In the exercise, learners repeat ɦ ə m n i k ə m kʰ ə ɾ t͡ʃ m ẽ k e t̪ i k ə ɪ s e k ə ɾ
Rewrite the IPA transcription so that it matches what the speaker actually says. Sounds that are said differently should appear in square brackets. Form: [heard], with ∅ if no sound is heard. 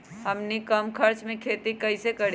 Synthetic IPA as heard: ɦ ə m n i k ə m kʰ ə ɾ t͡ʃ m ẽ [kʰ] e t̪ i k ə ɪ s e k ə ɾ